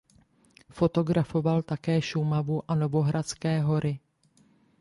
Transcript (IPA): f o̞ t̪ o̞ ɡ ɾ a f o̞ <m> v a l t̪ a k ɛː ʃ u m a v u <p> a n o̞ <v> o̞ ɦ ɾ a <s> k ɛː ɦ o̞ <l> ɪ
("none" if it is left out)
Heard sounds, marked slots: none, ʔ, v, t͡s, ɾ

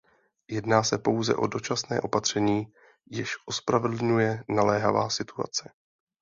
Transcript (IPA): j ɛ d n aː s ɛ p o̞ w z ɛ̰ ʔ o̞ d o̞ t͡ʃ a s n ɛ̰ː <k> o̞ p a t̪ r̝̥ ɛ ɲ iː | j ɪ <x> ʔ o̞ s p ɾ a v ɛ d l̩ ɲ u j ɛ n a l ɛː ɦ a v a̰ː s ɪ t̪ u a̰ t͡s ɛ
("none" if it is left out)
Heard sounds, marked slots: ʔ, ʃ

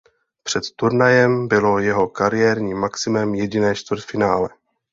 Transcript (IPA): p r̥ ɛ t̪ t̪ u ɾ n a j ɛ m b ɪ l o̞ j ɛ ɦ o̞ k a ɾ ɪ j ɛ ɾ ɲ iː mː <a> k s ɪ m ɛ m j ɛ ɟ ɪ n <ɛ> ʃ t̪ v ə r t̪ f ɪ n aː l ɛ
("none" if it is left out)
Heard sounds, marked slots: a, ɛː

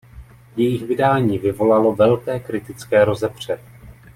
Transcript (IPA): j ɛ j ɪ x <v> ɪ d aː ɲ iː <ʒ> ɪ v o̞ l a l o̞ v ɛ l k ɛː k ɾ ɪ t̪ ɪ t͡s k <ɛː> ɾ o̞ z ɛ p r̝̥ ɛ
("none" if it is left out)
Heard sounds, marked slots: v, v, ɛː

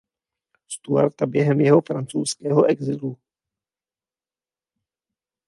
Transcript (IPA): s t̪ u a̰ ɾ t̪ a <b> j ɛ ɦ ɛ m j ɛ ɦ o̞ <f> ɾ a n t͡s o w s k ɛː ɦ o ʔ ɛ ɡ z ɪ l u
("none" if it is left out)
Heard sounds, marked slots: b, f

